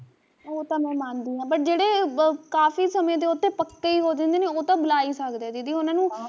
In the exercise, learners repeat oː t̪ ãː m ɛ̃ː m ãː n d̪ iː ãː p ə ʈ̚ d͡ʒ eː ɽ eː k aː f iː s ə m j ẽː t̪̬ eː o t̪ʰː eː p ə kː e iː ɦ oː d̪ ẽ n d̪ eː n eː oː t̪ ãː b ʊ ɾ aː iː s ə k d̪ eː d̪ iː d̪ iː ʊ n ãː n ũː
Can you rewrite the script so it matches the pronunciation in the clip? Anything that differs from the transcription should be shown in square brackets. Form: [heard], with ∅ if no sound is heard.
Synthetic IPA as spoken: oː t̪ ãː m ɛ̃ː m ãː n d̪ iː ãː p ə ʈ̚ d͡ʒ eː ɽ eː k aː f iː s ə m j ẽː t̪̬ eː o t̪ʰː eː p ə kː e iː ɦ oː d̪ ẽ n d̪ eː n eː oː t̪ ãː b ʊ [l] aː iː s ə k d̪ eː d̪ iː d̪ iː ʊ n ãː n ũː